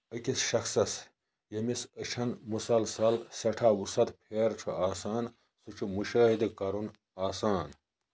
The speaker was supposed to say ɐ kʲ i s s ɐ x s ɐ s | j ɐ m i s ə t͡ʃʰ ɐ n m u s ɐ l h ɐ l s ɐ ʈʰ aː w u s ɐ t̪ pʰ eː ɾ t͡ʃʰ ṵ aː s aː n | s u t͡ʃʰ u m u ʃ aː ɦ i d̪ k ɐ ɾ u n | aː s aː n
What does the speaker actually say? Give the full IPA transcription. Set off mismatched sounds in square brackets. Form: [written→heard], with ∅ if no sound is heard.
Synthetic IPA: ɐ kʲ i s [s→ʃ] ɐ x s ɐ s | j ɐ m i s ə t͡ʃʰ ɐ n m u s ɐ l [h→s] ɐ l s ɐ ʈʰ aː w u s ɐ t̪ pʰ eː ɾ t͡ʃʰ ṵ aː s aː n | s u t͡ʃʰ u m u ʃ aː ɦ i d̪ k ɐ ɾ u n | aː s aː n